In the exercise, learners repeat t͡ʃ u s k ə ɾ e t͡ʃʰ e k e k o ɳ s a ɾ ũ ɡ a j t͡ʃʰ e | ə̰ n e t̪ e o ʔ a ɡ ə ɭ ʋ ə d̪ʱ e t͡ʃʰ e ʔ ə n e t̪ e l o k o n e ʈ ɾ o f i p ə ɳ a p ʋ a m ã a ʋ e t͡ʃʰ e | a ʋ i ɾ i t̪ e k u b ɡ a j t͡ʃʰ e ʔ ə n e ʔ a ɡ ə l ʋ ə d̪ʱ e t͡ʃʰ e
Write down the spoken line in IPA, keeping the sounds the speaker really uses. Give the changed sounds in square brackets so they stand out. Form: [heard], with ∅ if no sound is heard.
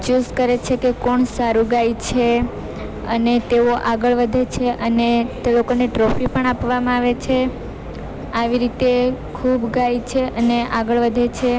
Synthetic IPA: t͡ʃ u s k ə ɾ e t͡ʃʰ e k e k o ɳ s a ɾ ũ ɡ a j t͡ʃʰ e | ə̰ n e t̪ e o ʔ a ɡ ə ɭ ʋ ə d̪ʱ e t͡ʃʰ e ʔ ə n e t̪ e l o k o n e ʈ ɾ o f i p ə ɳ a p ʋ a m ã a ʋ e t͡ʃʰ e | a ʋ i ɾ i t̪ e [kʰ] u b ɡ a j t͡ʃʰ e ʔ ə n e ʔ a ɡ ə [ɭ] ʋ ə d̪ʱ e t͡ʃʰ e